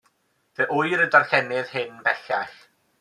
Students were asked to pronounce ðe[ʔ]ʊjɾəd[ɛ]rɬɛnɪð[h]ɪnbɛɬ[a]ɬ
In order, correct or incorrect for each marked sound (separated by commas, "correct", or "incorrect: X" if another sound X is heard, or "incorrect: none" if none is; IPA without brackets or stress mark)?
correct, incorrect: a, correct, correct